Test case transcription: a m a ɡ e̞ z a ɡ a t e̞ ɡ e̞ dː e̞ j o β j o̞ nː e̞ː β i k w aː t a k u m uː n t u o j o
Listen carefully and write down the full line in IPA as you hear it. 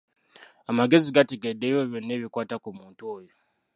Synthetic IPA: a m a ɡ e̞ z i ɡ a t e̞ ɡ e̞ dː e̞ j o β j o̞ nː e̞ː β i k w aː t a k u m uː n t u o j o